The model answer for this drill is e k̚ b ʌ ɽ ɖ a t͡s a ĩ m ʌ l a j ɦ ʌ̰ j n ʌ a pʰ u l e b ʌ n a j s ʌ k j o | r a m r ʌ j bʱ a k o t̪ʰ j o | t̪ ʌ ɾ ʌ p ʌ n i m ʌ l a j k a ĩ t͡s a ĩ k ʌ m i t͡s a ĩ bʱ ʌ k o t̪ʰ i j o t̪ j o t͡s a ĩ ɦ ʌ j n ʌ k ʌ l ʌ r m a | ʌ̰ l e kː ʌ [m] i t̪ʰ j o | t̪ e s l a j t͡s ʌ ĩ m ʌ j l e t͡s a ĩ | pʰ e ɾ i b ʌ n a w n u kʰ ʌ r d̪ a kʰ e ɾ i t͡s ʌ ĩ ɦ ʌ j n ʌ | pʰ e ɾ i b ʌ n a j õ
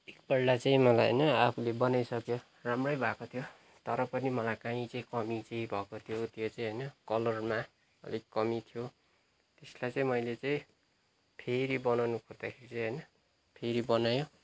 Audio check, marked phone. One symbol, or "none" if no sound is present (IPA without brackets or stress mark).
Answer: m